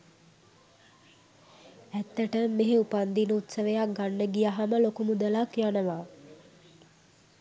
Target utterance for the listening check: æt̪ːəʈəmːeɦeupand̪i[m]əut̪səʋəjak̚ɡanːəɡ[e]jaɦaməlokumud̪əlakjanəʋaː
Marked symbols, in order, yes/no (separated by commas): no, no